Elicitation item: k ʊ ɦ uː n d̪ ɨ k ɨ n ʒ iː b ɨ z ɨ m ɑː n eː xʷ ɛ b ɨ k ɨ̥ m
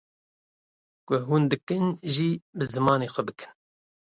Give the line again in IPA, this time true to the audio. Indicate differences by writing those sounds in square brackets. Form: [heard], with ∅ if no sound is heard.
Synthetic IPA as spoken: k ʊ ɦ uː n d̪ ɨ k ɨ n ʒ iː b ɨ z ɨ m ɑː n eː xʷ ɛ b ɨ k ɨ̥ [n]